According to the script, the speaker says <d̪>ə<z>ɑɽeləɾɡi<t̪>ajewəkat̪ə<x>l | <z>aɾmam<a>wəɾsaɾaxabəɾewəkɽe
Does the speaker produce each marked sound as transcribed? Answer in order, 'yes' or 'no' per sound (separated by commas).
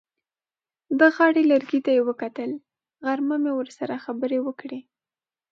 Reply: yes, no, yes, no, no, no